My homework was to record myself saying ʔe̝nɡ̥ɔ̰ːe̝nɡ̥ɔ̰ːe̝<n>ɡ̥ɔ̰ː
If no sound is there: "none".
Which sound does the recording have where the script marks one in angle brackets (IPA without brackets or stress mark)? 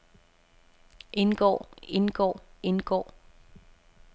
n